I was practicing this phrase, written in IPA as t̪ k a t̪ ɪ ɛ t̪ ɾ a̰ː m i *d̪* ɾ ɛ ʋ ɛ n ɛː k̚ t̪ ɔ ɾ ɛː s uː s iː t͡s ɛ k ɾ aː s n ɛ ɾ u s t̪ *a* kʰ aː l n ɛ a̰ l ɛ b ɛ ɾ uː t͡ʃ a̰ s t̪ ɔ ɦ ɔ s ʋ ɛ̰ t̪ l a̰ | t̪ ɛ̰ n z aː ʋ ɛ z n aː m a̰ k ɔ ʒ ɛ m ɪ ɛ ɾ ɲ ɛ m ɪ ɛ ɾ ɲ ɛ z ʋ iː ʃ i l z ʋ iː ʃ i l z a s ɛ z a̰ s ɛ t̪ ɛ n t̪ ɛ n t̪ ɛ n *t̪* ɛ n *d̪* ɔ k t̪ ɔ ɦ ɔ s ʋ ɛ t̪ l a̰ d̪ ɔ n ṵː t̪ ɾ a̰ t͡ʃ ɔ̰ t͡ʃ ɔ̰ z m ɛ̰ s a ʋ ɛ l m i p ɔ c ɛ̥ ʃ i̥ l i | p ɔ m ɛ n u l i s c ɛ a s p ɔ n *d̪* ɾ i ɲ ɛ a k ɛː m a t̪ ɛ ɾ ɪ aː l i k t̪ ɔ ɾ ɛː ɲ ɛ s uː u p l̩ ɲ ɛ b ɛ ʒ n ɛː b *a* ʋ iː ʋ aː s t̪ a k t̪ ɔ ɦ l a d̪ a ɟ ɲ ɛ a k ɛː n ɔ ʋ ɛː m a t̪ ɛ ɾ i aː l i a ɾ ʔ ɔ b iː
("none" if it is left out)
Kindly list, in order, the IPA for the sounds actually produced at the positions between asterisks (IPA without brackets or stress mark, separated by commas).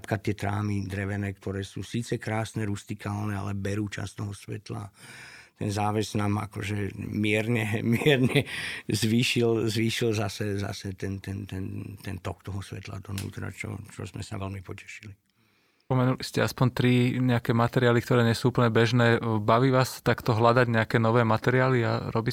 d̪, i, t̪, t̪, t̪, a